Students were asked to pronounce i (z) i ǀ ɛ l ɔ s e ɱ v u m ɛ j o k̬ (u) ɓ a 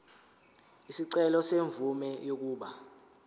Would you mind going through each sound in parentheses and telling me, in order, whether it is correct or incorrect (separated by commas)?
incorrect, incorrect